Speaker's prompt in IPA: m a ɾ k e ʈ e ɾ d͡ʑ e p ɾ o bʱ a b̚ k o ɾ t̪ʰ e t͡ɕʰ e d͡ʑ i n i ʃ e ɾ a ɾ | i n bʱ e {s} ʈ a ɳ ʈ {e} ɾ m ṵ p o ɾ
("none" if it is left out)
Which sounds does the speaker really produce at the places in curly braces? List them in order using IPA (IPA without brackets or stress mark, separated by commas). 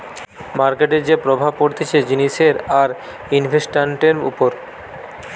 s, e